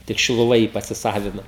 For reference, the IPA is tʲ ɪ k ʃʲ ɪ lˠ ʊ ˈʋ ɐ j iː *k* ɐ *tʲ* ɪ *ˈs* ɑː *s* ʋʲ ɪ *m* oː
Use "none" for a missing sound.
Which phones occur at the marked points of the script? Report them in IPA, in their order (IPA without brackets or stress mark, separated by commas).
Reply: p, sʲ, s, none, n